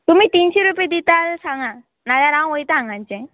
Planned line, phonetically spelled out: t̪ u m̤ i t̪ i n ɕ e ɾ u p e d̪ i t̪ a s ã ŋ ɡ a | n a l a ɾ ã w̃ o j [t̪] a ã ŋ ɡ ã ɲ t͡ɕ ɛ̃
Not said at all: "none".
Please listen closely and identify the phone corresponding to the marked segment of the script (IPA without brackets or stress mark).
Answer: t̪